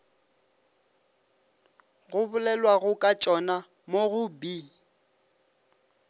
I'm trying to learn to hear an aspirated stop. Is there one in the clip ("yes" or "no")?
no